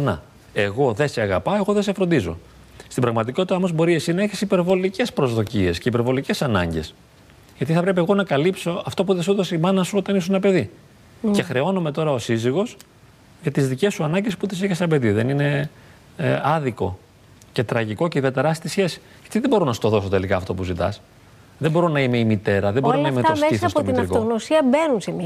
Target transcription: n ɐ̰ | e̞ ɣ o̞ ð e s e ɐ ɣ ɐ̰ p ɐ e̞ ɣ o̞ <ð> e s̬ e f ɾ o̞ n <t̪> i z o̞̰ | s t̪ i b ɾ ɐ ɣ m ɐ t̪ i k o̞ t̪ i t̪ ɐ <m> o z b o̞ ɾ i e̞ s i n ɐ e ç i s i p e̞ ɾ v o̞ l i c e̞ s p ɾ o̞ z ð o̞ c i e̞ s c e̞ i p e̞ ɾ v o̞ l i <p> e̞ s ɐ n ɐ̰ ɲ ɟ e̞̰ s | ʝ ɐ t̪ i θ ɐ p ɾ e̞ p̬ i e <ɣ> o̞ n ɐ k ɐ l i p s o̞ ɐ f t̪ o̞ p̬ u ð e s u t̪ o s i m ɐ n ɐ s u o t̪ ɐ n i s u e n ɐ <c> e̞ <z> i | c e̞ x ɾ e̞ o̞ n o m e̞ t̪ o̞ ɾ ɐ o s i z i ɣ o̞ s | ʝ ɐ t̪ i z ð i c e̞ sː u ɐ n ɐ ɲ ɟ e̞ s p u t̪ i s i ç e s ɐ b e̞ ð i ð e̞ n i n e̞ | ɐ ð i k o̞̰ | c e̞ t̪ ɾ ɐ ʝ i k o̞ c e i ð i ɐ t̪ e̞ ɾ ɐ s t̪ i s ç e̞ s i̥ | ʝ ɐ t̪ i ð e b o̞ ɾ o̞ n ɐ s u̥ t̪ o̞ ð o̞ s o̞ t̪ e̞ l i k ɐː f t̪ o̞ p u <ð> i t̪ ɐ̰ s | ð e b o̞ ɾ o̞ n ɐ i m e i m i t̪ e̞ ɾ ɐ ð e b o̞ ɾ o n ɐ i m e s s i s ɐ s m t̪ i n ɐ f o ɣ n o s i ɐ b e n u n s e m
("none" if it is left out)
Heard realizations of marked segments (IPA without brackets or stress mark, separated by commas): ð, d̪, m, c, ɣ, p, ð, z